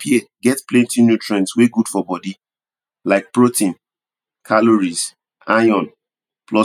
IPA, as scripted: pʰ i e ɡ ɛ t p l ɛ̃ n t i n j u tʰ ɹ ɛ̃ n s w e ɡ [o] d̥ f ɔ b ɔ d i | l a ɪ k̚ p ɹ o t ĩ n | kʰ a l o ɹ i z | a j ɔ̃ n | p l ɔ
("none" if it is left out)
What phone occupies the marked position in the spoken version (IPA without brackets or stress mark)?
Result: u